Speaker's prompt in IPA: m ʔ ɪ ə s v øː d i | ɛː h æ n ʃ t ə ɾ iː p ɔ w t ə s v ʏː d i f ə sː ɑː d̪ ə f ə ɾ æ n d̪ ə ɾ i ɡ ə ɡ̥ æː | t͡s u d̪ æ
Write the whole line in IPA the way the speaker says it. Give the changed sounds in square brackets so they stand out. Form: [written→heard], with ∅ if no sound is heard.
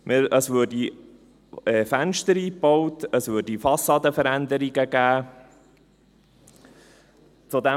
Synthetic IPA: m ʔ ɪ ə s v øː d i | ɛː [h→f] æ n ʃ t ə ɾ iː p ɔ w t ə s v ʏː d i f [ə→ɑ] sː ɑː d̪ ə f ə ɾ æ n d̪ ə ɾ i ɡ ə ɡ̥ æː | t͡s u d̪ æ

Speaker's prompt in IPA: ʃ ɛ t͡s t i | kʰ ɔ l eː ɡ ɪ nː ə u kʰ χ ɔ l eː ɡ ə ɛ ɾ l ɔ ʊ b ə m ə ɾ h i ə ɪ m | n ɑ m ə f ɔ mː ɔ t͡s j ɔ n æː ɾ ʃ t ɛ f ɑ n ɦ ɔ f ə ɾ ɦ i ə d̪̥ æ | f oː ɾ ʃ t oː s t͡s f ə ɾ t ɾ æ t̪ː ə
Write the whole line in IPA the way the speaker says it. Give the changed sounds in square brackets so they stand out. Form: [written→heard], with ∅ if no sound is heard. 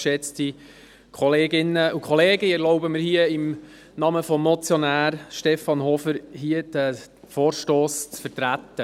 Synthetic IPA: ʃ ɛ t͡s t i | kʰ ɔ l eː ɡ ɪ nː ə u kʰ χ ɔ l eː ɡ ə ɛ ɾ l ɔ ʊ b ə m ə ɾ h i ə ɪ m | n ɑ m ə f ɔ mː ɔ t͡s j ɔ n æː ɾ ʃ t ɛ f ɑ n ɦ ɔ f ə ɾ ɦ i ə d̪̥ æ | f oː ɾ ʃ t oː s t͡s f ə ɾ t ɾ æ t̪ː ə

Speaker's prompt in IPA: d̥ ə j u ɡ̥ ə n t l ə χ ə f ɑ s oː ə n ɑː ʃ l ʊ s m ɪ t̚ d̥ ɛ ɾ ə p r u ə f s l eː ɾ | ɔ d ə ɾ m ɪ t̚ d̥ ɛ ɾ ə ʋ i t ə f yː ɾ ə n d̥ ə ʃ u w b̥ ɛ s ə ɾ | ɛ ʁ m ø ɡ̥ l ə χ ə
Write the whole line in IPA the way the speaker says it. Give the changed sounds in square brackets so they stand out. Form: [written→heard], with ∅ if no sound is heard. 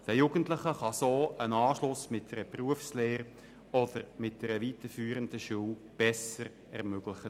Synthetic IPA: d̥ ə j u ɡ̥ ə n t l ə χ ə [f→χ] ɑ s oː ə n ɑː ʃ l ʊ s m ɪ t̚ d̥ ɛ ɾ ə p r u ə f s l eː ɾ | ɔ d ə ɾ m ɪ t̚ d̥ ɛ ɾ ə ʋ i t ə f yː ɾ ə n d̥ ə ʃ u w b̥ ɛ s ə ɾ | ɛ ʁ m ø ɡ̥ l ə χ ə

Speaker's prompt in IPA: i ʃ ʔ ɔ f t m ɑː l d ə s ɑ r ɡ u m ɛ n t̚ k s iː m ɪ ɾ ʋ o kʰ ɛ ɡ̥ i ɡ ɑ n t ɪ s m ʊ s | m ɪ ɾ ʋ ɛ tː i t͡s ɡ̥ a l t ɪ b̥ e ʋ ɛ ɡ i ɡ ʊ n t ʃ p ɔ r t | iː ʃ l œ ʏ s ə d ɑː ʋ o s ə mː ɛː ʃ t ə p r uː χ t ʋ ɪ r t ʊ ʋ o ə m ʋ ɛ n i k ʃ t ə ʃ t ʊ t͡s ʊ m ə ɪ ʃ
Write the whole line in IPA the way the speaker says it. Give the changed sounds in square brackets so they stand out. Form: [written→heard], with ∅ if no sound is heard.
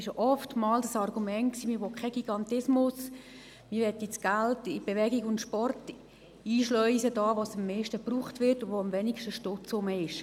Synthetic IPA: [i→ɪ] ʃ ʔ ɔ f t m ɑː l d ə s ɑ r ɡ u m ɛ n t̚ k s iː m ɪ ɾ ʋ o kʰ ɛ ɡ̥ i ɡ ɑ n t ɪ s m ʊ s | m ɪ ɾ ʋ ɛ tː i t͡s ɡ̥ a l t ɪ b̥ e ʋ ɛ ɡ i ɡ ʊ n t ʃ p ɔ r t | iː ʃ l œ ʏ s ə d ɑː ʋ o s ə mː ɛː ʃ t ə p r uː χ t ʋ ɪ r t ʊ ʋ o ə m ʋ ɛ n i k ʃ t ə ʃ t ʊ t͡s ʊ m ə ɪ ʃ

